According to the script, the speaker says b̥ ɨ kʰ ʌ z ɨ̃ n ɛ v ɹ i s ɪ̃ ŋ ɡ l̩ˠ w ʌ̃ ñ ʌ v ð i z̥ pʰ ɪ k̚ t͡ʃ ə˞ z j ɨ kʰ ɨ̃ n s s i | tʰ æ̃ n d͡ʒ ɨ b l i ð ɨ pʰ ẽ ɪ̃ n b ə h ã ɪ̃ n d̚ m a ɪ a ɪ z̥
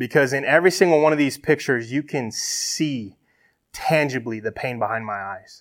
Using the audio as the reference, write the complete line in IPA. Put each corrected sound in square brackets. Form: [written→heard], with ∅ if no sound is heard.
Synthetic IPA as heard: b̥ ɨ kʰ ʌ z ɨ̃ n ɛ v ɹ i s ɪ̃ ŋ ɡ l̩ˠ w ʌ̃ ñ ʌ v ð i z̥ pʰ ɪ k̚ t͡ʃ ə˞ z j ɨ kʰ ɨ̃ n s s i | tʰ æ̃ n d͡ʒ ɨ b l i ð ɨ pʰ ẽ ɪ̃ n b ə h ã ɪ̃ n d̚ m a ɪ a ɪ z̥